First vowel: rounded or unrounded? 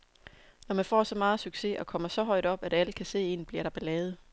rounded